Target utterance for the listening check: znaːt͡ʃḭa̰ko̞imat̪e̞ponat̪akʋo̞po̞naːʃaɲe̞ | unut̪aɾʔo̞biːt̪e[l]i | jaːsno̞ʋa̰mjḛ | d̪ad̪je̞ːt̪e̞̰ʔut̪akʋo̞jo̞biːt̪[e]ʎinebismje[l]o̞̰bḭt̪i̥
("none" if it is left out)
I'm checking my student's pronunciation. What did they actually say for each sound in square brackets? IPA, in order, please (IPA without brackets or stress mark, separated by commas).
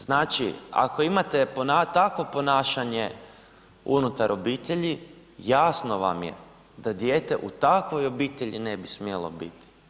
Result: ʎ, e, l